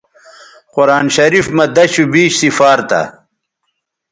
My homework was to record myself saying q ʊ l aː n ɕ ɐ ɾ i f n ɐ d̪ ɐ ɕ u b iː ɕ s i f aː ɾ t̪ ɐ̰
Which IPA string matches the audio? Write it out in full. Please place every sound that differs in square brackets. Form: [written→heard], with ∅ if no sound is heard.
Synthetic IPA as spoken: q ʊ [l→ɾ] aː n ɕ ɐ ɾ i f [n→m] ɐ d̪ ɐ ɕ u b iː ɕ s i f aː ɾ t̪ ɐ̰